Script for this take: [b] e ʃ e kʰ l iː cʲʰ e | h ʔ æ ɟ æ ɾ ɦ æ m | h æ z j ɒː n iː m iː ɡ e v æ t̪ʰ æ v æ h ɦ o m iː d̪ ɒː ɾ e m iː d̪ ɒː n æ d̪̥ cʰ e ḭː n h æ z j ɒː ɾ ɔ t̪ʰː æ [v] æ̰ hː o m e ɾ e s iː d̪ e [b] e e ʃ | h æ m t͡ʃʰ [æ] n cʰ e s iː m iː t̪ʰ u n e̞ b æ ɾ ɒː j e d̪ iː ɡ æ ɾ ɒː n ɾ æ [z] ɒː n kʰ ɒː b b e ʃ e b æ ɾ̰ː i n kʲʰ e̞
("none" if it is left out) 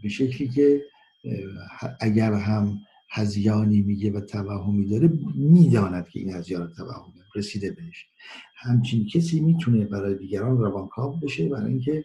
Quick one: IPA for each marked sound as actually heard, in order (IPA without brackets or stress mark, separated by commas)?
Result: b, v, b, i, v